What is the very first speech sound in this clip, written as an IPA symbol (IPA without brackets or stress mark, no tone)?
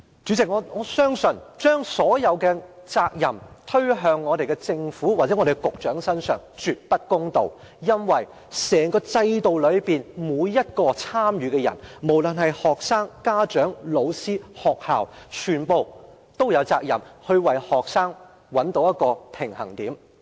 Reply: t͡ʃ